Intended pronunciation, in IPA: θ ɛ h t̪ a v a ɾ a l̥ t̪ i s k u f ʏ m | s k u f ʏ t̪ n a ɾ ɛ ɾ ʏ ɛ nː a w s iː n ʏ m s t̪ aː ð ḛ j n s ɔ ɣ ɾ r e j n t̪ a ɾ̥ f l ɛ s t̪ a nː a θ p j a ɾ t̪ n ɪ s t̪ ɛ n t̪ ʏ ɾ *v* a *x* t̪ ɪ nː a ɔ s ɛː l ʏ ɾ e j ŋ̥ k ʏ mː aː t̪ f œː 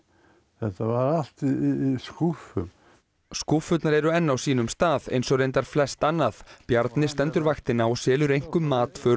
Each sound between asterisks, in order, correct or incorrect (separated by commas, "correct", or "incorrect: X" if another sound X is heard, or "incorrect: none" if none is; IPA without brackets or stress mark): correct, correct